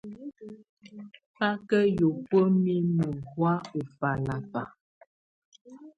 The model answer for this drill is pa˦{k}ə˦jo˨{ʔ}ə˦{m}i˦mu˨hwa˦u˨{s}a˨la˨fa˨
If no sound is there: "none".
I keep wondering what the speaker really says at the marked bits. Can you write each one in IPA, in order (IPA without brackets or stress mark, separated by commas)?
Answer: k, p, m, f